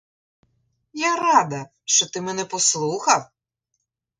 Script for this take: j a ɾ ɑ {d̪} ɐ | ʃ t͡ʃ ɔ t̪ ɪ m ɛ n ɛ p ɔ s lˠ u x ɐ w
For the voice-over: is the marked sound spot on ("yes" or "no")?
yes